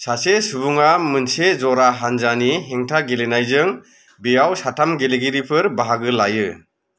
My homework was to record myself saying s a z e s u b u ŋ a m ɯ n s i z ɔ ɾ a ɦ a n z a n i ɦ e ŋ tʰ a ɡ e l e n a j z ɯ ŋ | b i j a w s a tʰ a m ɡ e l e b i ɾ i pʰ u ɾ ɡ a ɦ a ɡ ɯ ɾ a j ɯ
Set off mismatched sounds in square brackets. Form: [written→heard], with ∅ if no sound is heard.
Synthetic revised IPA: s a [z→s] e s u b u ŋ a m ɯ n s [i→e] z ɔ ɾ a ɦ a n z a n i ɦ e ŋ tʰ a ɡ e l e n a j z ɯ ŋ | b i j a w s a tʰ a m ɡ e l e [b→ɡ] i ɾ i pʰ [u→ɯ] ɾ [ɡ→b] a ɦ a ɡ ɯ [ɾ→l] a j ɯ